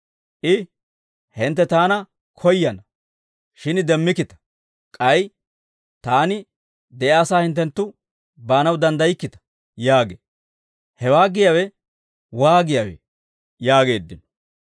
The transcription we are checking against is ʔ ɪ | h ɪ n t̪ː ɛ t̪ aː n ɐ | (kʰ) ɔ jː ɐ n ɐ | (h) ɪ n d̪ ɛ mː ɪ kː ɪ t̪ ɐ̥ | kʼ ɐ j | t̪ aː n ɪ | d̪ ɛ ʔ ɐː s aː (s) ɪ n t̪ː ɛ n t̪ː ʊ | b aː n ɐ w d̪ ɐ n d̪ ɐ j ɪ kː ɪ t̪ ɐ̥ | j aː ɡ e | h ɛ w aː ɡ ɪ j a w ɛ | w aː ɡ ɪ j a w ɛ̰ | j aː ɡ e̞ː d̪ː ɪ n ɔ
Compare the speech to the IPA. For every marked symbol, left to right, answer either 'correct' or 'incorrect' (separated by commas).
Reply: correct, incorrect, incorrect